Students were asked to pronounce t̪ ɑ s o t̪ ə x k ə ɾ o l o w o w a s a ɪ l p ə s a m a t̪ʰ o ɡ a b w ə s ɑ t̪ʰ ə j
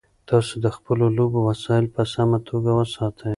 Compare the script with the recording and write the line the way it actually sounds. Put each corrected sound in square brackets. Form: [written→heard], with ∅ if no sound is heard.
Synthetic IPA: t̪ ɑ s o [t̪→d̪] ə x [k→p] ə [ɾ→l] o l o [w→b] o w a s [a→ɑ] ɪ l p ə s a m a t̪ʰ o ɡ a [b→∅] w ə s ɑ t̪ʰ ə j

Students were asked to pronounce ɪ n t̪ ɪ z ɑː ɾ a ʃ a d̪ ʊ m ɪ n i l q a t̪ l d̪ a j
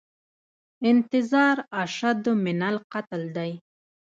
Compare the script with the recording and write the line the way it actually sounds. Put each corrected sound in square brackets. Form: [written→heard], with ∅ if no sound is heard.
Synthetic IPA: ɪ n t̪ ɪ z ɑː ɾ a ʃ a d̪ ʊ m ɪ n [i→a] l q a t̪ l d̪ a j

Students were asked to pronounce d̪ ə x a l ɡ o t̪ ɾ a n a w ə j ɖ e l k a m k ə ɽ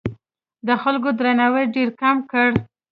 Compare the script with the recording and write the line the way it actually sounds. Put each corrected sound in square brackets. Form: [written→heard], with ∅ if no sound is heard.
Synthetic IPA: d̪ ə x a l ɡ o [t̪→d̪] ɾ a n a w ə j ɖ e [l→ɾ] k a m k ə ɽ

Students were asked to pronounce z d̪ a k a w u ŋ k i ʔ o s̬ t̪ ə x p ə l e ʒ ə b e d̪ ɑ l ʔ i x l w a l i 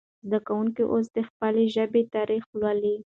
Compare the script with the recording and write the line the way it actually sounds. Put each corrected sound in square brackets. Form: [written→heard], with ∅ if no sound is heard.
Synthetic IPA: z d̪ a k a w u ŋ k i ʔ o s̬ [t̪→d̪] ə x p ə l e ʒ ə b e [d̪→t̪] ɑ [l→ɾ] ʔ i x l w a l i

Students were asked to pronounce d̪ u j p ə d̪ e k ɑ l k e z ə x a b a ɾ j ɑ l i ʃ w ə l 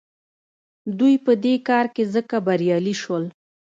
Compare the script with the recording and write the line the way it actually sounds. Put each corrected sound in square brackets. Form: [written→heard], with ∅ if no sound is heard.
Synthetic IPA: d̪ u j p ə d̪ e k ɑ [l→ɾ] k e z ə [x→k] a b a ɾ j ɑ l i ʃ w ə l

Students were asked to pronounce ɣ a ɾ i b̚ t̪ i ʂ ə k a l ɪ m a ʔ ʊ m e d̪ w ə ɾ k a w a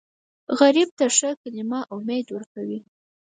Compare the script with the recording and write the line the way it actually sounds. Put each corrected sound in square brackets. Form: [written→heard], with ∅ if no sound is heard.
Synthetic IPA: ɣ a ɾ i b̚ t̪ [i→a] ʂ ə k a l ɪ m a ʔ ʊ m e d̪ w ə ɾ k a w [a→i]

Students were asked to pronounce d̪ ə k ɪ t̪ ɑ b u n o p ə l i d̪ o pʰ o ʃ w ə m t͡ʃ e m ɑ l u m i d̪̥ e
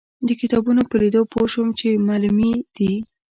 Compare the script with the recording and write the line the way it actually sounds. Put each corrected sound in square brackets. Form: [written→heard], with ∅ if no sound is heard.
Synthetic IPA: d̪ ə k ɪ t̪ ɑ b u n o p ə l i d̪ o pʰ o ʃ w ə m t͡ʃ e m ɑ l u m i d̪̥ [e→i]

